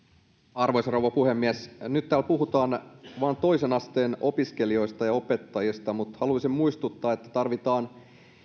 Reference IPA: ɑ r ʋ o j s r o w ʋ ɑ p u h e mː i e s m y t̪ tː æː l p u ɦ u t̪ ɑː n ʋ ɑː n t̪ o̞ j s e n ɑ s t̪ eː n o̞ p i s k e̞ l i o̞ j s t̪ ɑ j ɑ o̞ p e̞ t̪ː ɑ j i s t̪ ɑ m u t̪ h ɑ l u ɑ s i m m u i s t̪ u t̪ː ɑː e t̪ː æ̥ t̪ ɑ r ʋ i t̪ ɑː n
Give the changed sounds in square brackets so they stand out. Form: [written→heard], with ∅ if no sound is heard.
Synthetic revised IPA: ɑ r ʋ o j s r o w ʋ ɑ p u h e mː i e s [m→n] y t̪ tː æː l p u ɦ u t̪ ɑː n ʋ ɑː n t̪ o̞ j s e n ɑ s t̪ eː n o̞ p i s k e̞ l i o̞ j s t̪ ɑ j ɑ o̞ p e̞ t̪ː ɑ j i s t̪ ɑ m u t̪ h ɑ l u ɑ s i m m u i s t̪ u t̪ː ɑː e t̪ː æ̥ t̪ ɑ r ʋ i t̪ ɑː n